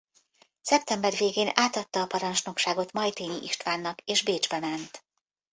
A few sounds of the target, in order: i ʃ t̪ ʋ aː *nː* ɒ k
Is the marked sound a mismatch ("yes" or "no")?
no